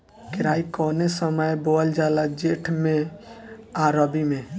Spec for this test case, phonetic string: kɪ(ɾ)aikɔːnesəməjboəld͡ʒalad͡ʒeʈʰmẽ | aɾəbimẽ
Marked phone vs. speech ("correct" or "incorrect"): correct